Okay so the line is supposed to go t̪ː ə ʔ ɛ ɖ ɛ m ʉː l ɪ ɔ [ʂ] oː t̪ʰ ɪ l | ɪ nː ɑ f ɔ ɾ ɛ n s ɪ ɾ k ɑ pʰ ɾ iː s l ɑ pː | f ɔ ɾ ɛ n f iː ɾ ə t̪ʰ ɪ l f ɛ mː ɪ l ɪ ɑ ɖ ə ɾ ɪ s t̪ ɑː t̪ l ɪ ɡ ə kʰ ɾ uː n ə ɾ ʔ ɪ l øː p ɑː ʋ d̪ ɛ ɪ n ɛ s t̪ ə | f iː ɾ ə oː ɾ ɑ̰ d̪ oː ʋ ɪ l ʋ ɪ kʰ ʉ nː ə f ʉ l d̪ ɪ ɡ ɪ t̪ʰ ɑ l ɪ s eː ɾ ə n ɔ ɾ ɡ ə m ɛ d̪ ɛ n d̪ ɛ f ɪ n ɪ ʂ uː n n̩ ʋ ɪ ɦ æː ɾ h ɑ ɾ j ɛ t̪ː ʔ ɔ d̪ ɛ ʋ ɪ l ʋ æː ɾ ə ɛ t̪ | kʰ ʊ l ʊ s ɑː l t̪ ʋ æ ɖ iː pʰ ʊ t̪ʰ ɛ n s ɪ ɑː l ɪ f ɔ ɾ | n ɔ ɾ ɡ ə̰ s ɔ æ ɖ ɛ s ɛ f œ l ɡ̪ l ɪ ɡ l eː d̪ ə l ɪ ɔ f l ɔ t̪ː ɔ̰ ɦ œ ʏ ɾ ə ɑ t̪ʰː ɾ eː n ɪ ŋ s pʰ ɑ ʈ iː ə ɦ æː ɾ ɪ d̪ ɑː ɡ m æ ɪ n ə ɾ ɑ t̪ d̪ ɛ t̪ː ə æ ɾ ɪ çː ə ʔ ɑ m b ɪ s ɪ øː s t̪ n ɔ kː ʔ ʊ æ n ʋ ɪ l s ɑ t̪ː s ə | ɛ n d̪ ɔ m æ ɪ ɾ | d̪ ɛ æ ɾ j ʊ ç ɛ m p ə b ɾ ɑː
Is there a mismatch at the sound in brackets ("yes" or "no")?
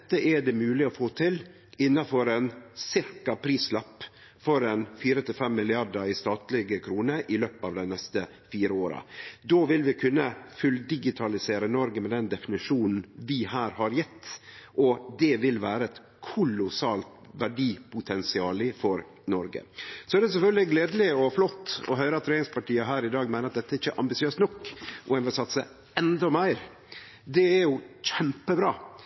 yes